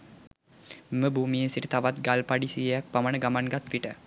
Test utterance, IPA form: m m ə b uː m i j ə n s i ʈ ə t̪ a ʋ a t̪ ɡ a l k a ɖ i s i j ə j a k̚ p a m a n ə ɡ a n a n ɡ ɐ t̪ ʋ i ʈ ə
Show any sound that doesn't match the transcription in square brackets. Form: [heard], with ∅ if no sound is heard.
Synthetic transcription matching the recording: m m ə b uː m i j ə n s i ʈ ə t̪ a ʋ a t̪ ɡ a l [p] a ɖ i s i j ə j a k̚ p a m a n ə ɡ a [m] a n ɡ [a] t̪ ʋ i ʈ ə